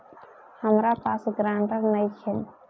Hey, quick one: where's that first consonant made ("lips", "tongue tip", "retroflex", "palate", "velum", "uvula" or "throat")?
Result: throat